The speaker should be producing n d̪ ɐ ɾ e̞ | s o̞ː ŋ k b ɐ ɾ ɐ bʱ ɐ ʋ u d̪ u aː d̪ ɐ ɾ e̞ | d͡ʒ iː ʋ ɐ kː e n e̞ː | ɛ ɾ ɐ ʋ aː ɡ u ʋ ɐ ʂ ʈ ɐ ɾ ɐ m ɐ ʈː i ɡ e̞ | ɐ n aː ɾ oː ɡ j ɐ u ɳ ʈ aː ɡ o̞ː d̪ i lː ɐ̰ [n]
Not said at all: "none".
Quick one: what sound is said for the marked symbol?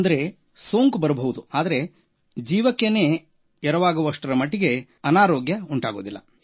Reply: none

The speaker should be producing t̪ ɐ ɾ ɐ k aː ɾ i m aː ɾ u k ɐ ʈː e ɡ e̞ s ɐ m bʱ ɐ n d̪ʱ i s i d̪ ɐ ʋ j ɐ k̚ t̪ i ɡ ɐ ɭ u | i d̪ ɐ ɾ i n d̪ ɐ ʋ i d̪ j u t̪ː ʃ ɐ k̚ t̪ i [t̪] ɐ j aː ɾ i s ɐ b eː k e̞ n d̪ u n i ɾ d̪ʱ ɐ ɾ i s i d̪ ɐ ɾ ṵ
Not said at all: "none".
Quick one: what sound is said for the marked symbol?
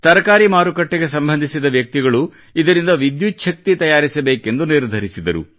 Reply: t̪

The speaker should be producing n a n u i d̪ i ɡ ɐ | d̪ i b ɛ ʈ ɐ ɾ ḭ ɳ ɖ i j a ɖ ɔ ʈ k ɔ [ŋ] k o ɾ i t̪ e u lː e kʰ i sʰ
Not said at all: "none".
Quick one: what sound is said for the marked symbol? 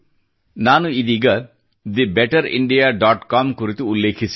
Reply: m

